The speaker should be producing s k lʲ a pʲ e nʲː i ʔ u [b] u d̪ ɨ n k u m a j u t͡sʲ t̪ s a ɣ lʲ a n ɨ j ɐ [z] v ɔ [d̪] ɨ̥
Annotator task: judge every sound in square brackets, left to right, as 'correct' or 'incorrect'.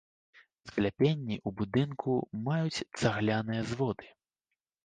correct, correct, correct

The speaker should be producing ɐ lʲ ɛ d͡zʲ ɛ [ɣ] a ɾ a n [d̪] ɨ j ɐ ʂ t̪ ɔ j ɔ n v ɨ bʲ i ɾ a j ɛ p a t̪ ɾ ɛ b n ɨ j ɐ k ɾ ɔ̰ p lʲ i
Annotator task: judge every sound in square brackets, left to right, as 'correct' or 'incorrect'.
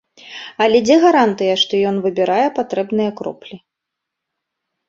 correct, incorrect

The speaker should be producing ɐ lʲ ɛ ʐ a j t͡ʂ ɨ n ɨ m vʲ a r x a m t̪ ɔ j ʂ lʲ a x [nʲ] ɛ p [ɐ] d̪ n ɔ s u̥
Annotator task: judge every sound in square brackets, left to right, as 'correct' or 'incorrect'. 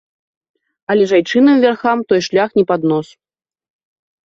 correct, incorrect

